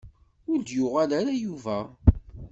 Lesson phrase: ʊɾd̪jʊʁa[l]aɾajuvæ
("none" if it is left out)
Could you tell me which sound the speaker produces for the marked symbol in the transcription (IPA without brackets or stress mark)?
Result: l